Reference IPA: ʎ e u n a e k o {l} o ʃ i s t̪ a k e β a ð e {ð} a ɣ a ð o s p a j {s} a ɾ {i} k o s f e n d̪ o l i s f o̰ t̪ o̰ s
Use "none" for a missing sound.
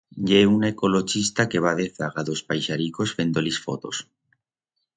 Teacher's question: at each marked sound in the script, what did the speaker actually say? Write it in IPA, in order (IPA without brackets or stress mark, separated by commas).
l, θ, ʃ, i